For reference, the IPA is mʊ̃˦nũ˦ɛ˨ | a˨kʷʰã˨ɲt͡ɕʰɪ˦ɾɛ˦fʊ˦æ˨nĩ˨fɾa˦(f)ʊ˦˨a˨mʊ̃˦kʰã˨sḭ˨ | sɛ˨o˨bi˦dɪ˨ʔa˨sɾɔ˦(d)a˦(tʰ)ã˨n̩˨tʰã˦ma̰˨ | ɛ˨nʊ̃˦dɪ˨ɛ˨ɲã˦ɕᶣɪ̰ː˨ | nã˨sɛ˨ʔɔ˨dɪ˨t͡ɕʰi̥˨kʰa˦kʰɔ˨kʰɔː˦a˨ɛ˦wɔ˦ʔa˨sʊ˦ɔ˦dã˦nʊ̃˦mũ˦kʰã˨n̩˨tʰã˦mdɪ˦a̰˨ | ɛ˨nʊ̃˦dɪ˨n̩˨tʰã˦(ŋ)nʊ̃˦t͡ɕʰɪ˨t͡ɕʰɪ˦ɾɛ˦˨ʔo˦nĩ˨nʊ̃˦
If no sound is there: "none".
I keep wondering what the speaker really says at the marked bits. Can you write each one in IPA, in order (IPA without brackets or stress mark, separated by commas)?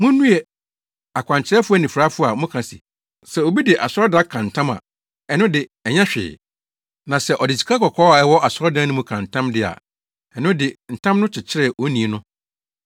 f, d, kʰ, m